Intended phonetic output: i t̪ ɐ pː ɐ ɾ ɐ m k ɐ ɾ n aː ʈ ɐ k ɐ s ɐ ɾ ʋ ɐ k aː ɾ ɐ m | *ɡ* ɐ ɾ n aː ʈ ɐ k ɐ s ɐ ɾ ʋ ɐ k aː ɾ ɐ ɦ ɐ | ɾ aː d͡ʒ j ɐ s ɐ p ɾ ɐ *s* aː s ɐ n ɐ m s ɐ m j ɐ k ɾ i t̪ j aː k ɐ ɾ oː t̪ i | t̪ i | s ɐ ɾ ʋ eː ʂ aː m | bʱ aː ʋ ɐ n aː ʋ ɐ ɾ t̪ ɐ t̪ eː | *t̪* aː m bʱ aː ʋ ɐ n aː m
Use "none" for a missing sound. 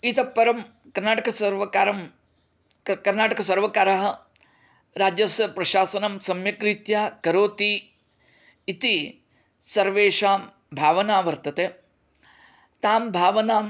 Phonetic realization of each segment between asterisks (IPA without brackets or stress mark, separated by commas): k, ʃ, t̪